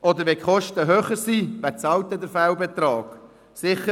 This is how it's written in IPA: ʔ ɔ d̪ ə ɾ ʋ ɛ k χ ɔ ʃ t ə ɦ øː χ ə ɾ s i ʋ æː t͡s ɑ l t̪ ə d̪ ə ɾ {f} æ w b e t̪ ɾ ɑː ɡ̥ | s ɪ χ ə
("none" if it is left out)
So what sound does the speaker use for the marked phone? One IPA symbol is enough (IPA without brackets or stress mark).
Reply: f